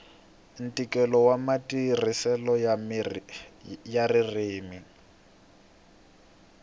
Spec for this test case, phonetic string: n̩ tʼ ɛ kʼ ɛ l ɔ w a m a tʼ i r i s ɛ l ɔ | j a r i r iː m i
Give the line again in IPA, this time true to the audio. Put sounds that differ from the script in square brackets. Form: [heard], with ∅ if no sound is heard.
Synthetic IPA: n̩ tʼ [i] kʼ ɛ l ɔ w a m a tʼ i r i s ɛ l ɔ | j a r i r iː m i